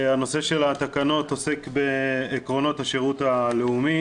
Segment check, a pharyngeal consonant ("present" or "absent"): absent